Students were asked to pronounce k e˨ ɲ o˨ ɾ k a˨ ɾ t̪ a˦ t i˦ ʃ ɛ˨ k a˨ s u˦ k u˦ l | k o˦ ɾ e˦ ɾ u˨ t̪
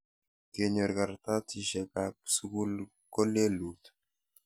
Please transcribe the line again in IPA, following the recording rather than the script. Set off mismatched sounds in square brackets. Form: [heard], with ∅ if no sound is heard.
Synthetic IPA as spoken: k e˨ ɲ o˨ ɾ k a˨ ɾ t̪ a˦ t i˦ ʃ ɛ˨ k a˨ s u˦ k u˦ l | k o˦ [l] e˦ [l] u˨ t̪